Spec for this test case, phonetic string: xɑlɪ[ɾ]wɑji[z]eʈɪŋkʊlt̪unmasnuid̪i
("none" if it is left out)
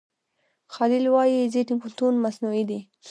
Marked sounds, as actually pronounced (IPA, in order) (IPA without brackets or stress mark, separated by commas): l, z